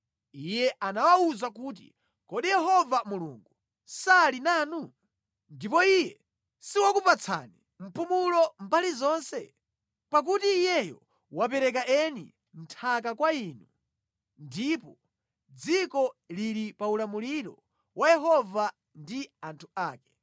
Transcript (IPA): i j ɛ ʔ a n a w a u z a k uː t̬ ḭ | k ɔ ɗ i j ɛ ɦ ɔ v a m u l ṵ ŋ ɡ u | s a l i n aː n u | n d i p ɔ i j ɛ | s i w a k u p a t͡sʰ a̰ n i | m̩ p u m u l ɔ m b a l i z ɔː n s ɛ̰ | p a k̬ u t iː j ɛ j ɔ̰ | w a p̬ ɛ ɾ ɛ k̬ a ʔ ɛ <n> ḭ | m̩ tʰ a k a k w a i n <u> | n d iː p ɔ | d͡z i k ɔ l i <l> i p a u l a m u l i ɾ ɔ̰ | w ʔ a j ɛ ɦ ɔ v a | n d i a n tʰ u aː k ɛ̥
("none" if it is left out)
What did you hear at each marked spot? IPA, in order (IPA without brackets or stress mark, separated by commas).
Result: n, u, ɾ